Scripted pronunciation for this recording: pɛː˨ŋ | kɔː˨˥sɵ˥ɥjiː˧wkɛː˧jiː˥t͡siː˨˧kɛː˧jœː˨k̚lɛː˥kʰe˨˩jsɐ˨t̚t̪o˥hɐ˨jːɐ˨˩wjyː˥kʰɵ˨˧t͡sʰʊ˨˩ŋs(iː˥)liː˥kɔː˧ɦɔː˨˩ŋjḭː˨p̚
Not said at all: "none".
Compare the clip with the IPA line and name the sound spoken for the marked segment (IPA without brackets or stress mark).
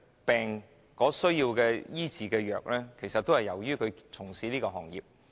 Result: iː˨˥